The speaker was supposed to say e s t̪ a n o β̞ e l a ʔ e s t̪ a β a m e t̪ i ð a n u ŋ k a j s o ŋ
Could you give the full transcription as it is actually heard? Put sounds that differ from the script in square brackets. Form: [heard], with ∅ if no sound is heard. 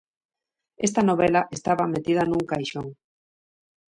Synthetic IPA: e s t̪ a n o β̞ e l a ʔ e s t̪ a β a m e t̪ i ð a n u ŋ k a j [ʃ] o ŋ